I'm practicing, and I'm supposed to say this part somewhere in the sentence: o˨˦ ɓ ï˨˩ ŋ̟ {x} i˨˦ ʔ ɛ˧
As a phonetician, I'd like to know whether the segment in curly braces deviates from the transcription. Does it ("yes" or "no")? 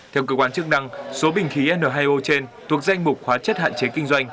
no